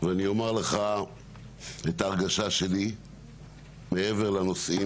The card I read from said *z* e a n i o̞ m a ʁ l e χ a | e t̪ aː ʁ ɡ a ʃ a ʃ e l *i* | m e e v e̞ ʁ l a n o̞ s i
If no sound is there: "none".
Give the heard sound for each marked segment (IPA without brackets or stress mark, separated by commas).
v, i